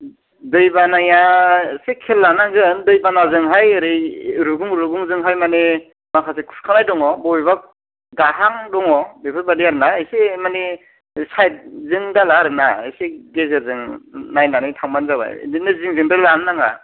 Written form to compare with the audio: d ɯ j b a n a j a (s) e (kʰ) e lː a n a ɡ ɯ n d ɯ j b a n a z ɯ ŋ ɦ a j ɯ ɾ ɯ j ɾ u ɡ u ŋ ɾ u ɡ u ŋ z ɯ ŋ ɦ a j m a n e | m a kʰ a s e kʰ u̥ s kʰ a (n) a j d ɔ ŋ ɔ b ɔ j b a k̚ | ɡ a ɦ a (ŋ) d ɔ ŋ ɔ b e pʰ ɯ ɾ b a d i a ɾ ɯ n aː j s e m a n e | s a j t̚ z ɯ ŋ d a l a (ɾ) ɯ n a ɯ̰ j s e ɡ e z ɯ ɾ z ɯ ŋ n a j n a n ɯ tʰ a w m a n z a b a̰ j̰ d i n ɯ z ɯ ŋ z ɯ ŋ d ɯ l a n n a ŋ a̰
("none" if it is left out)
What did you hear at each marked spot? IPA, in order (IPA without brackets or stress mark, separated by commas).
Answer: s, kʰ, n, ŋ, ɾ